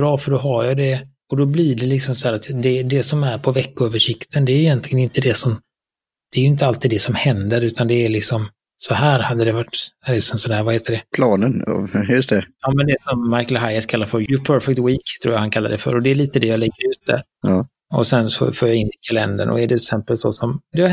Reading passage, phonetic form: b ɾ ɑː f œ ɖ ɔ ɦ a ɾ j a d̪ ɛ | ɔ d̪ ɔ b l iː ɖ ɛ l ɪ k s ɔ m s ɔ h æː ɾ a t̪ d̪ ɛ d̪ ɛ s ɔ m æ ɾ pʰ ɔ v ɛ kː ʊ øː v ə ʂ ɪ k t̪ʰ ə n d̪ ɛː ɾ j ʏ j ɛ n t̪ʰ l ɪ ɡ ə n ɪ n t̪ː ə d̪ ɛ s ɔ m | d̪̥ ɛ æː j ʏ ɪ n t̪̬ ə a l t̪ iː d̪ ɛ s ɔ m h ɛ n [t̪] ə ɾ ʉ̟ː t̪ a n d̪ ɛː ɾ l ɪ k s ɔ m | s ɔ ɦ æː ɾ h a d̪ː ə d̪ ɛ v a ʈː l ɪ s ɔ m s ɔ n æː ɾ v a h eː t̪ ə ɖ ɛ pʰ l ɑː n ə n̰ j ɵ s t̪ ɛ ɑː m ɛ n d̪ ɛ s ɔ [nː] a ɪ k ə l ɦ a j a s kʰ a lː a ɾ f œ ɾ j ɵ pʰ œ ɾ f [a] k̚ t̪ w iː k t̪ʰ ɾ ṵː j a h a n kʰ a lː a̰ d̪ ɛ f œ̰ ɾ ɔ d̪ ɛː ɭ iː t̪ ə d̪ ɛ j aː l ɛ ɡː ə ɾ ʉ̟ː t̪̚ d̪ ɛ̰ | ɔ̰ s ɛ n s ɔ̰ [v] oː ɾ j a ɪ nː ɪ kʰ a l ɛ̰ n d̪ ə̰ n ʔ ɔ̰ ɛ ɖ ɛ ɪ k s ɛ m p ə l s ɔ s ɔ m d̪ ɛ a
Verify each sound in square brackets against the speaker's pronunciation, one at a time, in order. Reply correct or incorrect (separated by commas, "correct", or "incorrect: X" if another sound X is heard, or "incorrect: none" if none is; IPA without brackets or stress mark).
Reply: incorrect: d̪, incorrect: mː, incorrect: ɛ, incorrect: f